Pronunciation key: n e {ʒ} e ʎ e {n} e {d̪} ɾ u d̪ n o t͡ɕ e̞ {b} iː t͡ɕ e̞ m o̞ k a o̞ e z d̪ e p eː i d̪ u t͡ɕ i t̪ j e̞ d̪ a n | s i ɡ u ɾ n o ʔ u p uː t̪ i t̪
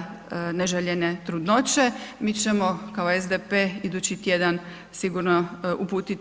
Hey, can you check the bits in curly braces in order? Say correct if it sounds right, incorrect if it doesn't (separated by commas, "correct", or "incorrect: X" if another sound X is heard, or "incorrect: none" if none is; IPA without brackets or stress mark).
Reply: correct, correct, incorrect: t̪, incorrect: m